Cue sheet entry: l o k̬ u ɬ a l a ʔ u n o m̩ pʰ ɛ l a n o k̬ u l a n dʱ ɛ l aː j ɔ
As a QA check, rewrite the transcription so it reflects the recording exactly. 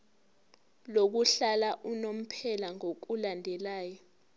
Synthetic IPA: l o k̬ u ɬ a l a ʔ u n o m̩ pʰ ɛ l a ŋ o k̬ u l a n dʱ ɛ l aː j ɔ